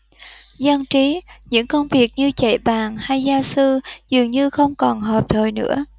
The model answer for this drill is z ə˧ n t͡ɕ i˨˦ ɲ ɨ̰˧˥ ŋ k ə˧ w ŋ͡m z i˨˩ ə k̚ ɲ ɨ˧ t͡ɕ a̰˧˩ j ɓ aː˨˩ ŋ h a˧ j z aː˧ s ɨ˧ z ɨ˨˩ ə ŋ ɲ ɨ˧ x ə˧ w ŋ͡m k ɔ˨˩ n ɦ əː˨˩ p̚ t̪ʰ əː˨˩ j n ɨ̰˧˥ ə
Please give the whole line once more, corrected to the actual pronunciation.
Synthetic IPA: z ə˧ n t͡ɕ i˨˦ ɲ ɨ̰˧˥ ŋ k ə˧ w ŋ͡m v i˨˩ ə k̚ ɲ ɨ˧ t͡ɕ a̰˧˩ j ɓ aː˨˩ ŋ h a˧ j z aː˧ s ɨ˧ z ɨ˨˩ ə ŋ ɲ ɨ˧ x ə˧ w ŋ͡m k ɔ˨˩ n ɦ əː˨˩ p̚ t̪ʰ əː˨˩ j n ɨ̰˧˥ ə